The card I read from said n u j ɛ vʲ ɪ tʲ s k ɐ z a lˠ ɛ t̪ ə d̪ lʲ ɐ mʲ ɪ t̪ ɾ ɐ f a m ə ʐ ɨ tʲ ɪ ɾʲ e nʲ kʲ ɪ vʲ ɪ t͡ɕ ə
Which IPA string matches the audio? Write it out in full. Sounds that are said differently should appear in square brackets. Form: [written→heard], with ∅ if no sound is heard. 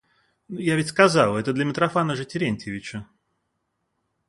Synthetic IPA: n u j [ɛ→a] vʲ ɪ tʲ s k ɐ z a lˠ ɛ t̪ ə d̪ lʲ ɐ mʲ ɪ t̪ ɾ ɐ f a [m→n] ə ʐ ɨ tʲ ɪ ɾʲ e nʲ [kʲ→tʲ] ɪ vʲ ɪ t͡ɕ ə